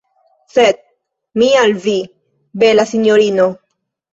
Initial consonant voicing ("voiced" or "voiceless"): voiceless